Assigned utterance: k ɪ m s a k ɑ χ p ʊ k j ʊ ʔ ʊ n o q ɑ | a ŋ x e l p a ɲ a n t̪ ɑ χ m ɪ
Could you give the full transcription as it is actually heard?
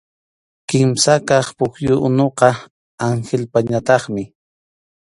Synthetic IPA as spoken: k ɪ m s a k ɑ χ p ʊ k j ʊ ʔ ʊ n o q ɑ | a ŋ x e l p a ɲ a t̪ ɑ χ m ɪ